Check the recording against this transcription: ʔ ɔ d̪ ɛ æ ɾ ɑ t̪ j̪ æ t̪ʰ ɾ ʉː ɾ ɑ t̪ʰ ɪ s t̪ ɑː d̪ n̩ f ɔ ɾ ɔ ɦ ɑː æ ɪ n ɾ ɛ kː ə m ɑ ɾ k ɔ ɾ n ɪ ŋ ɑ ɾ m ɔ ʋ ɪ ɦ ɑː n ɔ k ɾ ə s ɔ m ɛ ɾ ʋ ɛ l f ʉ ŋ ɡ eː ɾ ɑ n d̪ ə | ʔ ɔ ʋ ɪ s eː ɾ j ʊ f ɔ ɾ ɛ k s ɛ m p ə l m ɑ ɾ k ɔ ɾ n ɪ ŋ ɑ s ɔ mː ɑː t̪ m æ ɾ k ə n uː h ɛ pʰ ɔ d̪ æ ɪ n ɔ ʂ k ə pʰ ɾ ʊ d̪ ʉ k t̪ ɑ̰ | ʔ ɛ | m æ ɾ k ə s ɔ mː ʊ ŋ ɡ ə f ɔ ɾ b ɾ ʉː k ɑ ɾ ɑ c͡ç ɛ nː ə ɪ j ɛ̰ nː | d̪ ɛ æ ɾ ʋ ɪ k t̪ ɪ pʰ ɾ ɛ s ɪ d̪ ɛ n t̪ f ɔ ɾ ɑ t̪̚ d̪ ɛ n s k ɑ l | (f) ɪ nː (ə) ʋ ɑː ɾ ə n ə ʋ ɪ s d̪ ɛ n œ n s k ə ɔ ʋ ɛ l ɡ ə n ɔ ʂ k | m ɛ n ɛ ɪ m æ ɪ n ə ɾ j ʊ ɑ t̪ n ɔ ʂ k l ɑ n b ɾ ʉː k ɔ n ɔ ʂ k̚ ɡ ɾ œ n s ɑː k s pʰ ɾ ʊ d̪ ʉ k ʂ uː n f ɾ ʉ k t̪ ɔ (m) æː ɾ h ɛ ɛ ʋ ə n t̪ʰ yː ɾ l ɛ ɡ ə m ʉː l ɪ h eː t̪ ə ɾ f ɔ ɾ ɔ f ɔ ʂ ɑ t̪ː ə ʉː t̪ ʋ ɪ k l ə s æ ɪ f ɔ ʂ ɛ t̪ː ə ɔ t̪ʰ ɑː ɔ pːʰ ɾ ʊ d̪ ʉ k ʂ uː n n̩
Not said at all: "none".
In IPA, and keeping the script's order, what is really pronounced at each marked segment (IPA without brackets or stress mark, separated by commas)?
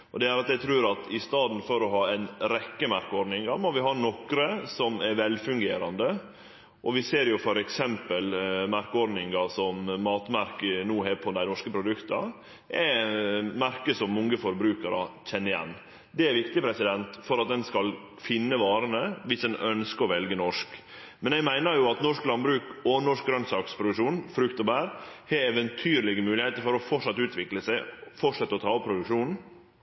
f, ə, b